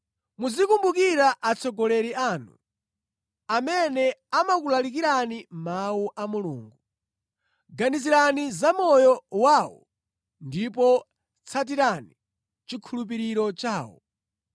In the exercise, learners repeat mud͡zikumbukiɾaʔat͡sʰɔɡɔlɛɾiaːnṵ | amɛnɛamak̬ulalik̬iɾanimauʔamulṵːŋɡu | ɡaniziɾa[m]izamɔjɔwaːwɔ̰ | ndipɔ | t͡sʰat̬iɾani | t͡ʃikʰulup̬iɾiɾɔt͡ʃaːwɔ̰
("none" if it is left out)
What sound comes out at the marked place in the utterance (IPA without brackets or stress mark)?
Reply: n